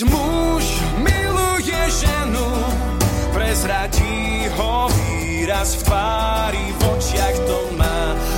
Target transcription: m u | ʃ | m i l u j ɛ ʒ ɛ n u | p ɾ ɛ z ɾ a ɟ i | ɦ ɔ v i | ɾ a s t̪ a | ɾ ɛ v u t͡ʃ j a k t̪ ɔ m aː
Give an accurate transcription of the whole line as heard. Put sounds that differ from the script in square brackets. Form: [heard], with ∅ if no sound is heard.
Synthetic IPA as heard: m u | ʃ | m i l u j ɛ ʒ ɛ n u | p ɾ ɛ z ɾ a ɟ i | ɦ ɔ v i | ɾ a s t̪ a | ɾ [i] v [ɔ] t͡ʃ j a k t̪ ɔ m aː